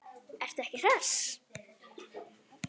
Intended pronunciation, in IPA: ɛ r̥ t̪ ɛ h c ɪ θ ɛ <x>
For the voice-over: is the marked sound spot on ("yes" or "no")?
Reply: no